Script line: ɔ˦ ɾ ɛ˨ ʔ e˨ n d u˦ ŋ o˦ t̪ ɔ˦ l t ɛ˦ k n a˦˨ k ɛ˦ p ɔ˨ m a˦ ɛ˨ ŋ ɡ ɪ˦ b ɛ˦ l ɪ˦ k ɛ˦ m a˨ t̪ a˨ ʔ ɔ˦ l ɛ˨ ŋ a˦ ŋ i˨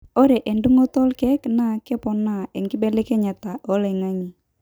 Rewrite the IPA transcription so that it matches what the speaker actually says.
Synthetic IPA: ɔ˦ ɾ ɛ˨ ʔ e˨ n d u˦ ŋ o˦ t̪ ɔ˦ l k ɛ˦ k n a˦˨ k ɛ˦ p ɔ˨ n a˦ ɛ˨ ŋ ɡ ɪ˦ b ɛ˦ l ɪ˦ k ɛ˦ ɲ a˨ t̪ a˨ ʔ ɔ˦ l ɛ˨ ŋ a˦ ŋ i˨